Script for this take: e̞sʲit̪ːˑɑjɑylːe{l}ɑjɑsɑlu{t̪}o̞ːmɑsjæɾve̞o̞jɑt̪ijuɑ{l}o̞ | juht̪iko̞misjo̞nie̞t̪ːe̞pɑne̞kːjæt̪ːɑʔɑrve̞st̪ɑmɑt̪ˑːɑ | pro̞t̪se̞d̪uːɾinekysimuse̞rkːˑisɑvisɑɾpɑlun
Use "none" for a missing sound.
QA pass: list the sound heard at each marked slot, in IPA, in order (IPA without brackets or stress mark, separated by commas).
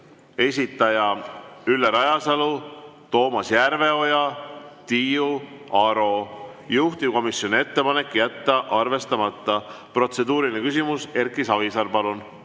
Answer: ɾ, t̪, ɾ